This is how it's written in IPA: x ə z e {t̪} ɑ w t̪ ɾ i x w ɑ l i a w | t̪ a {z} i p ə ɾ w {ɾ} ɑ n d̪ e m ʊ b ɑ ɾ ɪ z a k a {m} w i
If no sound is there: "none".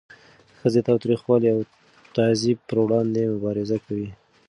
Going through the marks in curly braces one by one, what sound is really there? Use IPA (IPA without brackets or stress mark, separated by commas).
t̪, z, ɽ, none